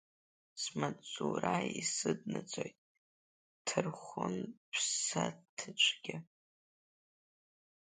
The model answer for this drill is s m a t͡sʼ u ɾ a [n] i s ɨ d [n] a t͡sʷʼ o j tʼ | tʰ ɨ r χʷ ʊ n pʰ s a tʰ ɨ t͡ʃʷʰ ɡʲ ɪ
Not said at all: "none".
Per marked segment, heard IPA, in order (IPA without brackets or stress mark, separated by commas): none, n